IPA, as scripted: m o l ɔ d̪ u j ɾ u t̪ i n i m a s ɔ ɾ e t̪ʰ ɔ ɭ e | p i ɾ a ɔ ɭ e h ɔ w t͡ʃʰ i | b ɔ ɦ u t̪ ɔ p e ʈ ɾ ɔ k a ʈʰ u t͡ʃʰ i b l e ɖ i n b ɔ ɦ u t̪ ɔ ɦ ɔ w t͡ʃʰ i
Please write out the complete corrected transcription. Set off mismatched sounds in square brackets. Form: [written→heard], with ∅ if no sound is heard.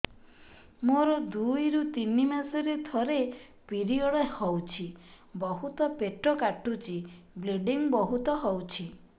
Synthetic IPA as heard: m o [l→ɾ] ɔ d̪ u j ɾ u t̪ i n i m a s ɔ ɾ e t̪ʰ ɔ [ɭ→ɾ] e | p i ɾ [a→i] ɔ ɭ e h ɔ w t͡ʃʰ i | b ɔ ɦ u t̪ ɔ p e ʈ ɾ ɔ k a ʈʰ u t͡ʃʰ i b l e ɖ i [n→ŋ] b ɔ ɦ u t̪ ɔ ɦ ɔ w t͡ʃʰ i